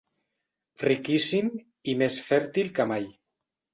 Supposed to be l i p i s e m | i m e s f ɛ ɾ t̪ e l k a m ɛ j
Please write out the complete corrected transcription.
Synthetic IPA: r i k i s i m | i m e s f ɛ ɾ t̪ i l k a m a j